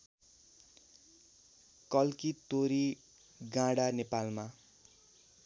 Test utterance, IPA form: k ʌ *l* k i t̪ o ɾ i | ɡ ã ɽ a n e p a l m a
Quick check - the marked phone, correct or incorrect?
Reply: correct